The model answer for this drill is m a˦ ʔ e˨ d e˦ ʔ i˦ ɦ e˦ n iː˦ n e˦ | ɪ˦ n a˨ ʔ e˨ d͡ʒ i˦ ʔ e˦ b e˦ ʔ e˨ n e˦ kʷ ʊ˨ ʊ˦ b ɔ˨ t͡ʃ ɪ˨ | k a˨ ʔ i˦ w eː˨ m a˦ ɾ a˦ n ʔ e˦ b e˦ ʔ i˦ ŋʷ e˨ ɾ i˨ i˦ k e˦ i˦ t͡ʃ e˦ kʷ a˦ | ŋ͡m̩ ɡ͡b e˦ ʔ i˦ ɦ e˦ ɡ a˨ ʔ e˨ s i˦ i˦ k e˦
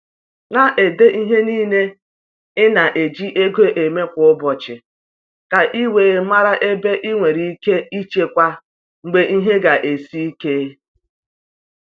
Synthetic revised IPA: n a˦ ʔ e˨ d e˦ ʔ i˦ ɦ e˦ n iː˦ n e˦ | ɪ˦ n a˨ ʔ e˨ d͡ʒ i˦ ʔ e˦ ɡ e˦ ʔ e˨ m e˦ kʷ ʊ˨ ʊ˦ b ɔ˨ t͡ʃ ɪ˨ | k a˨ ʔ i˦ w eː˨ m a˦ ɾ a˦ ʔ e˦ b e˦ ʔ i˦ ŋʷ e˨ ɾ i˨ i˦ k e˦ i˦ t͡ʃ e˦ kʷ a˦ | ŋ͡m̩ ɡ͡b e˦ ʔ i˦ ɦ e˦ ɡ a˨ ʔ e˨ s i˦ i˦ k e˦

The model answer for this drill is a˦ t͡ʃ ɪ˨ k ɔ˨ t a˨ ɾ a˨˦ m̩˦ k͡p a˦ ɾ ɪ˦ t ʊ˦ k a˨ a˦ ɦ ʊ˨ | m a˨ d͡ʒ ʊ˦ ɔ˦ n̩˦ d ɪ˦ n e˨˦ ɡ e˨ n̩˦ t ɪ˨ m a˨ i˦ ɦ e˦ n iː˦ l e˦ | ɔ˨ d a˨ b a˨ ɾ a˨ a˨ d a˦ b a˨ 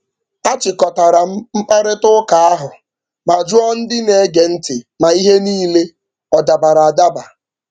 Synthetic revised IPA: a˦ t͡ʃ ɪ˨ k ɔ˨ t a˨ ɾ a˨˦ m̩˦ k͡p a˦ ɾ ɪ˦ t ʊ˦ k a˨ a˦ ɦ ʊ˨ | m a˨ d͡ʒ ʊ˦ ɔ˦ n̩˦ d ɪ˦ n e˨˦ ɡ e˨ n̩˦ t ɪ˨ m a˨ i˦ ɦ e˦ n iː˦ l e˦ | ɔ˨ d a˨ b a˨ ɾ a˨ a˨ d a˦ b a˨

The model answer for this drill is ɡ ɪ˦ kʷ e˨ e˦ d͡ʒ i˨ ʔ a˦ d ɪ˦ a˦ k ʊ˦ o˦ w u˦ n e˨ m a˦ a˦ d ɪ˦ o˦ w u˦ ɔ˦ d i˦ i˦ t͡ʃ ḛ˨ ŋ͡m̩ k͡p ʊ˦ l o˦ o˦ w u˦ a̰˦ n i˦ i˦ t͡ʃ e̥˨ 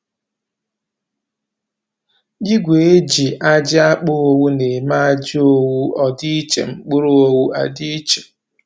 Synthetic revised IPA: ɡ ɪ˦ ɡʷ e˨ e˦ d͡ʒ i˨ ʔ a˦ d͡ʒ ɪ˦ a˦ k͡p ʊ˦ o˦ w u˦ n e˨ m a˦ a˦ d͡ʒ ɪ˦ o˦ w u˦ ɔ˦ d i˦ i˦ t͡ʃ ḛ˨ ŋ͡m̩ k͡p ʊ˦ ɾ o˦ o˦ w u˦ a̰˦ d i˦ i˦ t͡ʃ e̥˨

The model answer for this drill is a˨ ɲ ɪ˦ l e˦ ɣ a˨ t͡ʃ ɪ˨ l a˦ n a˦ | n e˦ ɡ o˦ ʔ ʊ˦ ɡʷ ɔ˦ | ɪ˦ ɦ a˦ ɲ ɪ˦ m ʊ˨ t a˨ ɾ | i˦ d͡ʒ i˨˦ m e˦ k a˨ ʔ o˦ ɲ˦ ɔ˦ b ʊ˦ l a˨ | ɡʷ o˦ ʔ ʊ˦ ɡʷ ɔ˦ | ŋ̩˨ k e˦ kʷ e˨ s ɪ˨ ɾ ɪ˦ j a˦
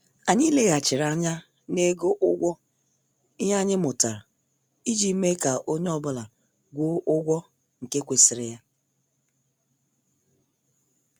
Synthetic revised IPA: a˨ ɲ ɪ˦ l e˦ ɣ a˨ t͡ʃ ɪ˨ ɾ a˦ ɲ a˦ | n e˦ ɡ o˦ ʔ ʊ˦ ɡʷ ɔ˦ | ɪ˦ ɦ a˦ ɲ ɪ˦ m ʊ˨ t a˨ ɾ | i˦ d͡ʒ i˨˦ m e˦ k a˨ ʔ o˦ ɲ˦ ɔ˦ b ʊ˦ l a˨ | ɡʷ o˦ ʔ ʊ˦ ɡʷ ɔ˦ | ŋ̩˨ k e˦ kʷ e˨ s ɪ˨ ɾ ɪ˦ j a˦

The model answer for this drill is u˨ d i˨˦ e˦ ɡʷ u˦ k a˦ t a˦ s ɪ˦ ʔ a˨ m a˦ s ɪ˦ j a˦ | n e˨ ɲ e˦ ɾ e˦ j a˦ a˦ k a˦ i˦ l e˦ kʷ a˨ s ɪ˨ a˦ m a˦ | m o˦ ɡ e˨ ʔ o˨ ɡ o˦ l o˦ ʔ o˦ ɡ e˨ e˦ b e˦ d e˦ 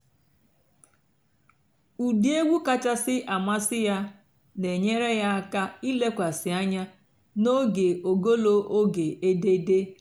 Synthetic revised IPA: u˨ d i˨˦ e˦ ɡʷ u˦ k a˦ t͡ʃ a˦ s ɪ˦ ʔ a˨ m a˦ s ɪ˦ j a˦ | n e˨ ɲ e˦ ɾ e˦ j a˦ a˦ k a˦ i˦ l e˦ kʷ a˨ s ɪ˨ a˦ ɲ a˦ | n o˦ ɡ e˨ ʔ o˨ ɡ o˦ l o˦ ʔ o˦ ɡ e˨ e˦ d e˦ d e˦

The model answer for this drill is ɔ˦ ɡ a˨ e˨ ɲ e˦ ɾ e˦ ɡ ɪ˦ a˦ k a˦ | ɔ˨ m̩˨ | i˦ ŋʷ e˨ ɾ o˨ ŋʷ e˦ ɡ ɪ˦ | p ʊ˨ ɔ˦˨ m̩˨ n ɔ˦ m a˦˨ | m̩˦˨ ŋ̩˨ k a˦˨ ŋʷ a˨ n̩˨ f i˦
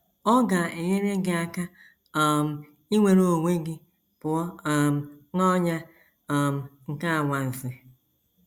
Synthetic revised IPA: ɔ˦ ɡ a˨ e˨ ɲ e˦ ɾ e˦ ɡ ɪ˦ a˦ k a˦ | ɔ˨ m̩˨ | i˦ ŋʷ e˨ ɾ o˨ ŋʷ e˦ ɡ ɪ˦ | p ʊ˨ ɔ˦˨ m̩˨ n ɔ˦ ɲ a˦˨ | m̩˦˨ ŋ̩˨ k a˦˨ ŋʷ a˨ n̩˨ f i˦

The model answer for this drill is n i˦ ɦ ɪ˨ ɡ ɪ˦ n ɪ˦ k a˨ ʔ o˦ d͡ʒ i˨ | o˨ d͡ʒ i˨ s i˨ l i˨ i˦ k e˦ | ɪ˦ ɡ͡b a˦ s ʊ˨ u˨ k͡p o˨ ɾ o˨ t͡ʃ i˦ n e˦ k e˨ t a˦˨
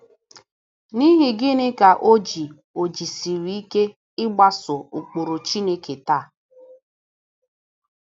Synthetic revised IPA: n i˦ ɦ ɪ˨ ɡ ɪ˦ n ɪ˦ k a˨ ʔ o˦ d͡ʒ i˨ | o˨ d͡ʒ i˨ s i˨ ɾ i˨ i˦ k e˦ | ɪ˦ ɡ͡b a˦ s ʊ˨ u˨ k͡p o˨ ɾ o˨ t͡ʃ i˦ n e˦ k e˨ t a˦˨

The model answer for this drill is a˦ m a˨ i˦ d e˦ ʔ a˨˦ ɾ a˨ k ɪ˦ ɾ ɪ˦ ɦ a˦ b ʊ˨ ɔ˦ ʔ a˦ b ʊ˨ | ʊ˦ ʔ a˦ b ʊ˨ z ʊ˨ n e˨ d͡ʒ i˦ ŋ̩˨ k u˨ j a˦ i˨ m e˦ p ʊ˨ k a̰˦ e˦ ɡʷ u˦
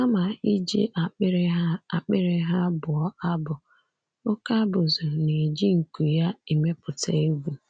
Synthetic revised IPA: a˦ m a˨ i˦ d͡ʒ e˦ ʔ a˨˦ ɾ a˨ k͡p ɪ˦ ɾ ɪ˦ ɦ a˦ b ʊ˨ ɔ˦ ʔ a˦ b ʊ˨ | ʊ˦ k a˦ b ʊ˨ z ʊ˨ n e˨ d͡ʒ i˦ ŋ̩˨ k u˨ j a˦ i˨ m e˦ p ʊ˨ t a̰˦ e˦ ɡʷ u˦

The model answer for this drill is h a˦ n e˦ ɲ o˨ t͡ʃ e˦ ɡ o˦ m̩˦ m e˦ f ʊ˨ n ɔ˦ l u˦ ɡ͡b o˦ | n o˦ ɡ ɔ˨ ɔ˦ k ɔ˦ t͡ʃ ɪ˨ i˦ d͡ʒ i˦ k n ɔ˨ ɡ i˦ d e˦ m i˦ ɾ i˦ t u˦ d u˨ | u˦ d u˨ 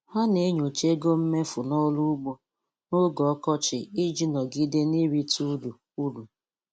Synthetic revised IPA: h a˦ n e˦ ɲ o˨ t͡ʃ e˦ ɡ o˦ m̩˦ m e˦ f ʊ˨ n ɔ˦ l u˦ ɡ͡b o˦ | n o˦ ɡ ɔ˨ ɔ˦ k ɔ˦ t͡ʃ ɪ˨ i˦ d͡ʒ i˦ n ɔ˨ ɡ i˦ d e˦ n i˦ ɾ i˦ t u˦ d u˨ | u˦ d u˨

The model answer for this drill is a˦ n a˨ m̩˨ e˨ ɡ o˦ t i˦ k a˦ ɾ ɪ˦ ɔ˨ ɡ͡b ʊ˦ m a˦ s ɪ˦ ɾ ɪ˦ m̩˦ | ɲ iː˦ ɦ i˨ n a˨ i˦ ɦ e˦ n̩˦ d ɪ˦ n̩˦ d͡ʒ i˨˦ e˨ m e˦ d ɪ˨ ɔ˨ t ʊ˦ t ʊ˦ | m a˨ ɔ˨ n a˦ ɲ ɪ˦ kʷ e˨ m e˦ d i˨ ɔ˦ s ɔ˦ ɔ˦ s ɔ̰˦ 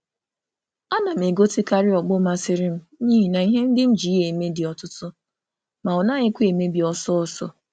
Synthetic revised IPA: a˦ n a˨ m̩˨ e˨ ɡ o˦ t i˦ k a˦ ɾ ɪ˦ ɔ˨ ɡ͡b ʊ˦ m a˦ s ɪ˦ ɾ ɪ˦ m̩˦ | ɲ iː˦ ɦ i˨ n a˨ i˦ ɦ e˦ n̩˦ d ɪ˦ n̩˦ d͡ʒ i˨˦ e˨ m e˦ d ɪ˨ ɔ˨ t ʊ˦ t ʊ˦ | m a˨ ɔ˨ n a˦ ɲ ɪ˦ kʷ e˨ m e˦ b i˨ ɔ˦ s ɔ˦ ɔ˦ s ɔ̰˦

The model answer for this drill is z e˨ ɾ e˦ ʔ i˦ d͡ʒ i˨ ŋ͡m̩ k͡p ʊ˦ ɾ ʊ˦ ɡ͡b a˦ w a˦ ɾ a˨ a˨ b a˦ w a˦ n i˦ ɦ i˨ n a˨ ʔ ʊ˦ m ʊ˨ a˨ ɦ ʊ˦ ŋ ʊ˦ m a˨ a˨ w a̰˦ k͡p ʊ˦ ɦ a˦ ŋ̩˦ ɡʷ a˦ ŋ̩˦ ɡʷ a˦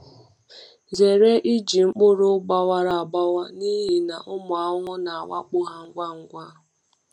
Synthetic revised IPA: z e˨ ɾ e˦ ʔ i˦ d͡ʒ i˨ ŋ͡m̩ k͡p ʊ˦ ɾ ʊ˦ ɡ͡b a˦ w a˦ ɾ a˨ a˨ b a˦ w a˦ n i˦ ɦ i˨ n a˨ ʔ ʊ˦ m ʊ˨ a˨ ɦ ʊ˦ ŋ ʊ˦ n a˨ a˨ w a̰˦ k͡p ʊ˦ ɦ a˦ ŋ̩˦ ɡʷ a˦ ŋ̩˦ ɡʷ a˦

